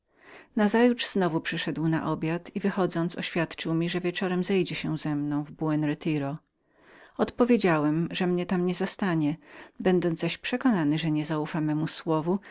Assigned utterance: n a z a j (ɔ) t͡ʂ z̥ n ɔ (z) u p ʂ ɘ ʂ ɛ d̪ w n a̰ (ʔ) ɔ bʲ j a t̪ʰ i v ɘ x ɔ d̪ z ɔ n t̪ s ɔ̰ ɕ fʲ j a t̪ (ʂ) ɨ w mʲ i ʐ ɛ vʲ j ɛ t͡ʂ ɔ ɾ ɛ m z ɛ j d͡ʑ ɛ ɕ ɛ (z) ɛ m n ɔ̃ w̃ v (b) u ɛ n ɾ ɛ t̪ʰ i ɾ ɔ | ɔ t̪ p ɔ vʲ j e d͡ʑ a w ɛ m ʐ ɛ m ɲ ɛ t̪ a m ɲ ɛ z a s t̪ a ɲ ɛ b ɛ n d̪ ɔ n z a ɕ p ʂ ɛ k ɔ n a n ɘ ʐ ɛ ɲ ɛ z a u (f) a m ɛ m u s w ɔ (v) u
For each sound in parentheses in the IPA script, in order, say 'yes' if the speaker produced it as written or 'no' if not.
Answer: no, no, yes, no, yes, yes, yes, yes

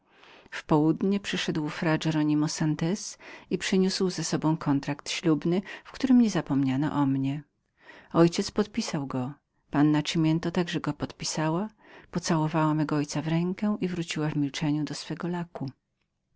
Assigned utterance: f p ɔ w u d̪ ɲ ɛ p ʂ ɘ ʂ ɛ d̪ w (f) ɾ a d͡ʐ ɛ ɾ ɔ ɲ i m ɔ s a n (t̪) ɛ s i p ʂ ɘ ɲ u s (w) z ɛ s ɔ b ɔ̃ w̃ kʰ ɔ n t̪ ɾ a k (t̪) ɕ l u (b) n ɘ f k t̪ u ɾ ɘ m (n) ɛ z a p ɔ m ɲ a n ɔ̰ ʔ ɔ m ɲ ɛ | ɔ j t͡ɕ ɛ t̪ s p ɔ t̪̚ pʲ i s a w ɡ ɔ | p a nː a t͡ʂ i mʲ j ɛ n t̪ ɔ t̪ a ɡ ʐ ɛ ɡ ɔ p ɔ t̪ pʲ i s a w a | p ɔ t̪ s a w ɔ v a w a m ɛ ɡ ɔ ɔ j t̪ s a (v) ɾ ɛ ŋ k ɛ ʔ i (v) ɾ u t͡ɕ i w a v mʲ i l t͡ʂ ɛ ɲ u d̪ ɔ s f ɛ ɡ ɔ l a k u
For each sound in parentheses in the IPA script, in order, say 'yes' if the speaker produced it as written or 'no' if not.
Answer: yes, yes, yes, yes, yes, no, yes, yes

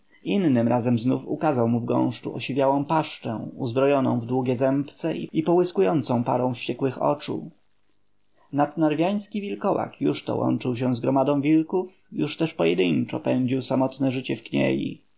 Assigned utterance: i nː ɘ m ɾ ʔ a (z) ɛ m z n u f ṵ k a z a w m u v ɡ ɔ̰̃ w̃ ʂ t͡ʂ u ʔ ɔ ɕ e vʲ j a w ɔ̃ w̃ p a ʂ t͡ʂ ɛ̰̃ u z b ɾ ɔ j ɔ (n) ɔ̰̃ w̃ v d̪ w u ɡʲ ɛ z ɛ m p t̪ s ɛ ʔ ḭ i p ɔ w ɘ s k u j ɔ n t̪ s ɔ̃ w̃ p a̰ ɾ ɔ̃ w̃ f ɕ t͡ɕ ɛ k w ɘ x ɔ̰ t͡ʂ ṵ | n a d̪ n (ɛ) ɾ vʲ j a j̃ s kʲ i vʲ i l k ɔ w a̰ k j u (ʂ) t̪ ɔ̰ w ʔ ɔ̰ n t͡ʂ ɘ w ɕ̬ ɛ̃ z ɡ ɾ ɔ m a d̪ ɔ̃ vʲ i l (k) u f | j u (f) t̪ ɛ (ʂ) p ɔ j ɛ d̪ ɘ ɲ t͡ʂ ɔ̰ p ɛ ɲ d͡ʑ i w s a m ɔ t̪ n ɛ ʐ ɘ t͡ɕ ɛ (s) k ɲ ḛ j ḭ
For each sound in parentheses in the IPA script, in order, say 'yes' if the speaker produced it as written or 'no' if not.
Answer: yes, yes, no, yes, yes, no, yes, no

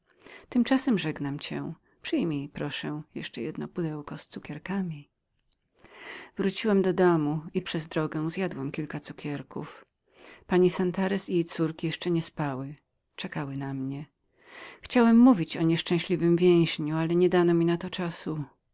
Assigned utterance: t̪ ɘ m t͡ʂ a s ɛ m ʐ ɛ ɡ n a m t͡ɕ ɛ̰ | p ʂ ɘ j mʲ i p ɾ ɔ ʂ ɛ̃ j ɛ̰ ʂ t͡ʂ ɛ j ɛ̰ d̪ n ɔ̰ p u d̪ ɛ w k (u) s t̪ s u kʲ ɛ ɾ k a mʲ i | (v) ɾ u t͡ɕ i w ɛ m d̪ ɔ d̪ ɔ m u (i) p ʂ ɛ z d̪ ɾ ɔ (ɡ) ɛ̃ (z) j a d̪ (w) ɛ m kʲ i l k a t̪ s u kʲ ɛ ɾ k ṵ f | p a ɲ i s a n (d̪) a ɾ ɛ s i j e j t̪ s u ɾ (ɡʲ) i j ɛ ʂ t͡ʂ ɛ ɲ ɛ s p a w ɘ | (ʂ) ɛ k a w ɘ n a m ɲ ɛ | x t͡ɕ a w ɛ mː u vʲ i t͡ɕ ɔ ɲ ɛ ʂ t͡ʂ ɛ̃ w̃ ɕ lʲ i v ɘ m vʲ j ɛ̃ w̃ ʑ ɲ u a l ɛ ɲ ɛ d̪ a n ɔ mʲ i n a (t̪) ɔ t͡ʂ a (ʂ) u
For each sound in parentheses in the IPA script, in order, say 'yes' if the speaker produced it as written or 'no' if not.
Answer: no, yes, yes, yes, yes, yes, no, no, no, yes, no

